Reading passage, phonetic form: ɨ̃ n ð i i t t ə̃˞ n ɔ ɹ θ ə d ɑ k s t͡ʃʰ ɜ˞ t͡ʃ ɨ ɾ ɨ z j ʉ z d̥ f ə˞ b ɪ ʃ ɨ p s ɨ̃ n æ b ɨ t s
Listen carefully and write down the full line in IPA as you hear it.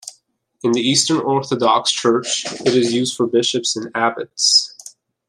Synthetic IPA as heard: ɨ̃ n ð i i s t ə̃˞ n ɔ ɹ θ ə d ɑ k s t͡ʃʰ ɜ˞ t͡ʃ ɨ ɾ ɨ z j ʉ z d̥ f ə˞ b ɪ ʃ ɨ p s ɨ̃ n æ b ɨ t s